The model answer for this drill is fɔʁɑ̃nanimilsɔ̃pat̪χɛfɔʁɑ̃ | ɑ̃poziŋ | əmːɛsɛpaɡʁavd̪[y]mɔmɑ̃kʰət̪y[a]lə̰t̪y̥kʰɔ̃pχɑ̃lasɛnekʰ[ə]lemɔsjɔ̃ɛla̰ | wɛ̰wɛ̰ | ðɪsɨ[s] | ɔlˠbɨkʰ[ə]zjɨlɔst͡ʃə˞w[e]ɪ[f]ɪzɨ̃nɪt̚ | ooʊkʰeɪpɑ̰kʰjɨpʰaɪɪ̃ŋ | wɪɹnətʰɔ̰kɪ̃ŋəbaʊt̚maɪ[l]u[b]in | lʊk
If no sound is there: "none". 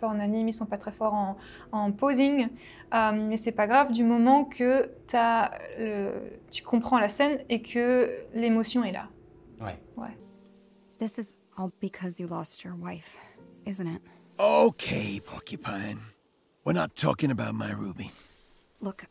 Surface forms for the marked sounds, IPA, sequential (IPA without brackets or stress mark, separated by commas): y, a, ə, z, ʌ, a, f, ɹ, b